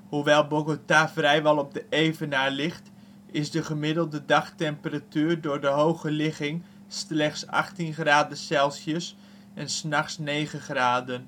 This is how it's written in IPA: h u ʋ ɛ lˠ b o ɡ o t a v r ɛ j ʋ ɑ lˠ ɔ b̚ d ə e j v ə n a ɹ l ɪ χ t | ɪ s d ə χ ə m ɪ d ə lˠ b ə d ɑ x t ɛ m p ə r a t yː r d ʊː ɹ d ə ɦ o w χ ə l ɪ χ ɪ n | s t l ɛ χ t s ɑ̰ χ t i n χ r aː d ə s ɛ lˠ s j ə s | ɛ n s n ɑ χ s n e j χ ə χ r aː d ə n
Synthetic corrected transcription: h u ʋ ɛ lˠ b o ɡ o t a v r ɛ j ʋ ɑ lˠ ɔ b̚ d ə e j v ə n a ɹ l ɪ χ t | ɪ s d ə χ ə m ɪ d ə lˠ d ə d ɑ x t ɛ m p ə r a t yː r d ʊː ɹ d ə ɦ o w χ ə l ɪ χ ɪ ŋ | s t l ɛ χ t s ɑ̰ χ t i n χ r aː d ə s ɛ lˠ s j ə s | ɛ n s n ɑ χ s n e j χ ə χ r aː d ə n